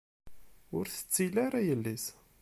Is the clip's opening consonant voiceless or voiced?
voiced